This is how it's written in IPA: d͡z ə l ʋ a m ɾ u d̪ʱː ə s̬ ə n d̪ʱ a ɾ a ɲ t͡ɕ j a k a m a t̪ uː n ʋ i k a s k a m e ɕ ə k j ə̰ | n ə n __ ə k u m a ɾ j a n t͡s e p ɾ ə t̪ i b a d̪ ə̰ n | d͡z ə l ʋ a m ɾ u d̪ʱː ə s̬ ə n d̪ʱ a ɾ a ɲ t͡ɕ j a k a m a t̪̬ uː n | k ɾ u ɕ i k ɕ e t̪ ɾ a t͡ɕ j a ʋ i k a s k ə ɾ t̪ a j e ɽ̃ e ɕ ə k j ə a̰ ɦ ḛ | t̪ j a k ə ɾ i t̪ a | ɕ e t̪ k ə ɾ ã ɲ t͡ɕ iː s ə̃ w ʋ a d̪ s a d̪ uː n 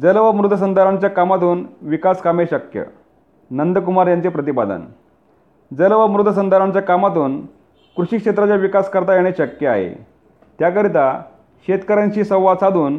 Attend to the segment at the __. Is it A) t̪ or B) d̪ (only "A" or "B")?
B